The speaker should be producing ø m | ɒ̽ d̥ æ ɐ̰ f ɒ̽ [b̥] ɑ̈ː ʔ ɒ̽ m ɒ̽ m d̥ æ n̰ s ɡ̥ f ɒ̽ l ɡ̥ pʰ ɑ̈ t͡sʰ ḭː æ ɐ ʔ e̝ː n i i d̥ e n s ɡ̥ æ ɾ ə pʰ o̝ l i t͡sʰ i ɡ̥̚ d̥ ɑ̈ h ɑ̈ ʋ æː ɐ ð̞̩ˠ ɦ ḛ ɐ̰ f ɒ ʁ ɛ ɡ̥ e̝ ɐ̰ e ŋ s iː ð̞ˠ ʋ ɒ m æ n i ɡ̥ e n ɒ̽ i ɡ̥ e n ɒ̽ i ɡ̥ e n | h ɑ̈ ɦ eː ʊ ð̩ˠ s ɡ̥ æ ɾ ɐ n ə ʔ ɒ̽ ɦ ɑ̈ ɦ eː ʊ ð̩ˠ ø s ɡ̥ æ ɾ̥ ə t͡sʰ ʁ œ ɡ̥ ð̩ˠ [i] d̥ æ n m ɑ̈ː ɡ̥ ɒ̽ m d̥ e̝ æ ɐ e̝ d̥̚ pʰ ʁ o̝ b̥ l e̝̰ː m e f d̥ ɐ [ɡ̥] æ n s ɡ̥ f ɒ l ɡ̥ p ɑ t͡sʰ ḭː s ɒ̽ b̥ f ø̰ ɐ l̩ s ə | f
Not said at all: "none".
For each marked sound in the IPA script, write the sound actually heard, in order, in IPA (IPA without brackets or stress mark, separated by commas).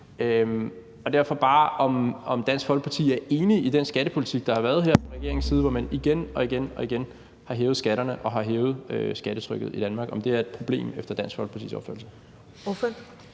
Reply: b̥, i, d̥